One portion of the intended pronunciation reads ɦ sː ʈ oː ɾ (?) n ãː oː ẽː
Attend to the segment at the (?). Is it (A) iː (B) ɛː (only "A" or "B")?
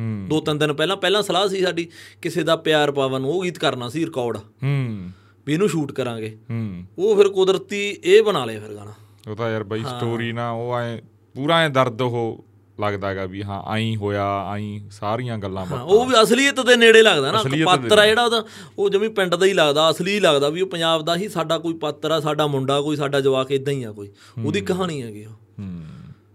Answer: A